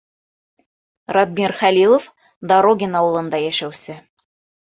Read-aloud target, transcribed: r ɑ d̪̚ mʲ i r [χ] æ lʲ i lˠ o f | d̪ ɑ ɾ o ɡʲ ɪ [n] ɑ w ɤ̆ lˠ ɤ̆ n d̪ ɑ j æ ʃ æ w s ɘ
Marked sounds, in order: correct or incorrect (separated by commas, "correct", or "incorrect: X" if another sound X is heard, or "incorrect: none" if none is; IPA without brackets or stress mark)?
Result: correct, correct